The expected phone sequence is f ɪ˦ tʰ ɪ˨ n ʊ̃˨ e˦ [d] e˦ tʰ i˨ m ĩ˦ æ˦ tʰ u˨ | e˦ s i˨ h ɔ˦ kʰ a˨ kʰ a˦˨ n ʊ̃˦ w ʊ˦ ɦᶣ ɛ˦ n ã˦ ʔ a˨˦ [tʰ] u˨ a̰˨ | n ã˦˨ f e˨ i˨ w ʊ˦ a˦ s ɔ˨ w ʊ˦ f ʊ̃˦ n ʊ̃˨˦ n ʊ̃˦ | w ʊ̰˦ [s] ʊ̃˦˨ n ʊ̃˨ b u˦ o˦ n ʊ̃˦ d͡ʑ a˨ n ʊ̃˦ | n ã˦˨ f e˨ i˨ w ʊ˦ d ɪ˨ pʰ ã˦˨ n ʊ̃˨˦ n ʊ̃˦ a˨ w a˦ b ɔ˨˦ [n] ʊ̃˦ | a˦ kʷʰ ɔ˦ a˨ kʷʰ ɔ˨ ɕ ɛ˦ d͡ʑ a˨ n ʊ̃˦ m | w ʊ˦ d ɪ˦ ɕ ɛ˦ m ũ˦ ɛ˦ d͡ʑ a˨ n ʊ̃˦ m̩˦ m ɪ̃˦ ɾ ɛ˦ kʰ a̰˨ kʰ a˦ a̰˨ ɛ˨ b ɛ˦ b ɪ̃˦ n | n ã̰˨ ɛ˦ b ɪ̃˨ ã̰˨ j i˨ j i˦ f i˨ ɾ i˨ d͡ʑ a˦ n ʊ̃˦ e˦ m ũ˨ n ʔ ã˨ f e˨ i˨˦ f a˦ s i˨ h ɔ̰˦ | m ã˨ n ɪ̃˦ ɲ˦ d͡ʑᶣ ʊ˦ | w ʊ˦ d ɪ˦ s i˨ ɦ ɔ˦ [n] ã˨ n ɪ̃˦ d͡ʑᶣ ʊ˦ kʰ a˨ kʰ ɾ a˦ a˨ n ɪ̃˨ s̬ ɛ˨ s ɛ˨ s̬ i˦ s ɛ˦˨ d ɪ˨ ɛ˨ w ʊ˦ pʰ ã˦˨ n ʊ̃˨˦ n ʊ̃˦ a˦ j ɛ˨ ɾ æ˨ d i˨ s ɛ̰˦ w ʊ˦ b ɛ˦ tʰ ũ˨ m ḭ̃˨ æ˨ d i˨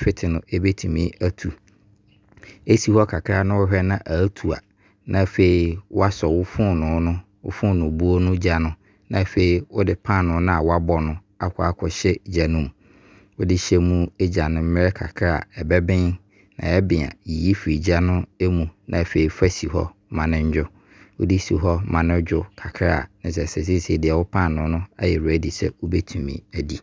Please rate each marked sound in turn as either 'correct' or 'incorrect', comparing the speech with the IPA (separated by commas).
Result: incorrect, correct, incorrect, correct, incorrect